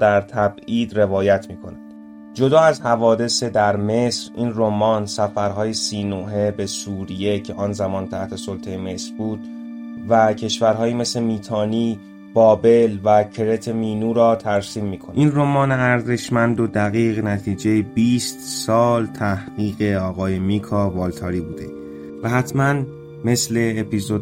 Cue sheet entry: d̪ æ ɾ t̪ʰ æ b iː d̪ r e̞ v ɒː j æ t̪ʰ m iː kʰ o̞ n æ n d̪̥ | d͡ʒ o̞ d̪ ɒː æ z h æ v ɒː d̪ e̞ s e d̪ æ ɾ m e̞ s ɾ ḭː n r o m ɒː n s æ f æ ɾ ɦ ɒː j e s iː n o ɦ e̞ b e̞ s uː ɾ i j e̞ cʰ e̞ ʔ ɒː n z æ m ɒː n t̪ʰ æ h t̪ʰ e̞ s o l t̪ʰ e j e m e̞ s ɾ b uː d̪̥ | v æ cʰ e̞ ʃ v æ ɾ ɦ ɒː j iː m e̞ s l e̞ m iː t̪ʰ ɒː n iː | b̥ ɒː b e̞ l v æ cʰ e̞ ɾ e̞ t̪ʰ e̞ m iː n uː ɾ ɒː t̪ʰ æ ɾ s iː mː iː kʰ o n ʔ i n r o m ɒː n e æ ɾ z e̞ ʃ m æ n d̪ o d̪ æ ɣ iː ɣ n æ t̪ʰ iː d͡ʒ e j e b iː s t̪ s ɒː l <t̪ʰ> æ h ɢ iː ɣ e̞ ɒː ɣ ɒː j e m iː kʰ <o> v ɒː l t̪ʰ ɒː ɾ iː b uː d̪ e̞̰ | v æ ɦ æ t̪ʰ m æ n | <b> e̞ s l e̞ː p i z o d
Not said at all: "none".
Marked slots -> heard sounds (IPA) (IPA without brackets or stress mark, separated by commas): t̪ʰ, ɒ, m